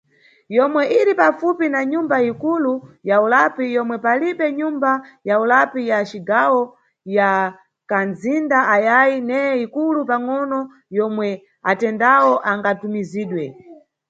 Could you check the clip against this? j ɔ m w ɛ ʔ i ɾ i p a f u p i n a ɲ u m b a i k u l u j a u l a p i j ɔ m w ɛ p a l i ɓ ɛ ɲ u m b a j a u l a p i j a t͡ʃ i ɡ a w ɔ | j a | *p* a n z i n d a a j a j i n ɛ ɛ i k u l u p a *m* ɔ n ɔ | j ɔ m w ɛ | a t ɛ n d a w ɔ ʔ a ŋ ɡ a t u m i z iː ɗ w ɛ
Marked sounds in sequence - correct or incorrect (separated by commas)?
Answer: incorrect, incorrect